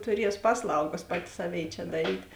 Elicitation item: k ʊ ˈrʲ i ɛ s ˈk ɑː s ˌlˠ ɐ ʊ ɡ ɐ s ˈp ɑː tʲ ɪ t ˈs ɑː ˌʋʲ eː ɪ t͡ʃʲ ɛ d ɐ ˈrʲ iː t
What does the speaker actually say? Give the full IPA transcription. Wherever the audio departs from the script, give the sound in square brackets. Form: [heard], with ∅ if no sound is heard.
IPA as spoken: [t] ʊ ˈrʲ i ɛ s [ˈp] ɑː s ˌlˠ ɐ ʊ ɡ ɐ s ˈp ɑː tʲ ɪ [∅] ˈs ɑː ˌʋʲ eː ɪ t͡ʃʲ ɛ d ɐ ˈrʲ iː t